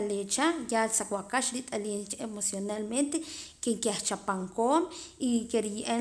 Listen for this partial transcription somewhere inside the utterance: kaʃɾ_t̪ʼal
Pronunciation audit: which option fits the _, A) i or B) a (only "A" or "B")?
A